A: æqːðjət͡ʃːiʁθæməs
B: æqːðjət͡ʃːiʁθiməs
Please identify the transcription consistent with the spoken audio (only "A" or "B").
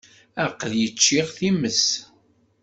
B